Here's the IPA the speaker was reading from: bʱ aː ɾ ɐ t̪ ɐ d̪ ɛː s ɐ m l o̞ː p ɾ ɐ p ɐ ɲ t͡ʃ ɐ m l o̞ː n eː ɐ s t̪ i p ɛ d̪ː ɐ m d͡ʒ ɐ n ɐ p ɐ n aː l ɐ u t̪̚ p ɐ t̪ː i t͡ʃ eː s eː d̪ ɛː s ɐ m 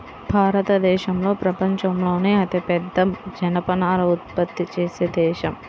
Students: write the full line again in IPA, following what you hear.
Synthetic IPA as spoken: bʱ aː ɾ ɐ t̪ ɐ d̪ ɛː ʃ ɐ m l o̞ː p ɾ ɐ p ɐ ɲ t͡ʃ ɐ m l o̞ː n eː ɐ t̪ i p ɛ d̪ː ɐ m d͡ʒ ɐ n ɐ p ɐ n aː l ɐ u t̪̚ p ɐ t̪ː i t͡ʃ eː s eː d̪ ɛː ʃ ɐ m